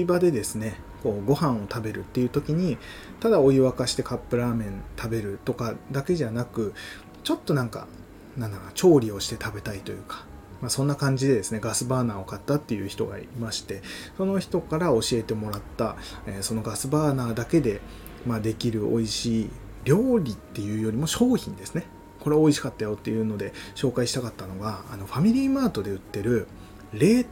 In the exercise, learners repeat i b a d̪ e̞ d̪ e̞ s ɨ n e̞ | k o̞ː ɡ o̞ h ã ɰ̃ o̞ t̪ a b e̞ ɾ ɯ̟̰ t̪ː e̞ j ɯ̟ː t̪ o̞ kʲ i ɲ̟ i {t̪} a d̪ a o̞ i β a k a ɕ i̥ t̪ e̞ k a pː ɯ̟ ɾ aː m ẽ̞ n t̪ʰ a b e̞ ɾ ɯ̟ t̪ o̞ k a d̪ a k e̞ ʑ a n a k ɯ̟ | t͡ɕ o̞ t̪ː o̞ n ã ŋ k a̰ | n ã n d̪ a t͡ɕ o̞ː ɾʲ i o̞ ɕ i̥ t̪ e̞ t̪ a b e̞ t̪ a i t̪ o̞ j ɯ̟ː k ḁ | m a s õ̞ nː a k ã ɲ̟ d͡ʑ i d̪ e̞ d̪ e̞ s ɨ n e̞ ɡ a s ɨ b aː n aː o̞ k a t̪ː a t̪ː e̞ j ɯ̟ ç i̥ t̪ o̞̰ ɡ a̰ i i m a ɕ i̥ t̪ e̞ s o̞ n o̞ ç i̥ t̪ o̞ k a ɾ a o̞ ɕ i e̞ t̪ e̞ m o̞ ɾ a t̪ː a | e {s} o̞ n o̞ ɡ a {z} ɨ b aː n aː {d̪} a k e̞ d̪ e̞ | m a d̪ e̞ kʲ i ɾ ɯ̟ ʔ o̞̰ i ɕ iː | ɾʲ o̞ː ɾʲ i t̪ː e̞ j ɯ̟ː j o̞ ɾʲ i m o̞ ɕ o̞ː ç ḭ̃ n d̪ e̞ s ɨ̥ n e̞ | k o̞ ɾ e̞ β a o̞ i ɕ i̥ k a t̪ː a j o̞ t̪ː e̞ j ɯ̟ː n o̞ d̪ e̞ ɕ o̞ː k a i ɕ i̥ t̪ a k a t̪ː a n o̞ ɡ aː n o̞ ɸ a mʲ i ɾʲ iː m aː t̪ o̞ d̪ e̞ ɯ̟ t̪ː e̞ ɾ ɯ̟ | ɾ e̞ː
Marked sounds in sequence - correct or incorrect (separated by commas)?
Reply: correct, correct, incorrect, correct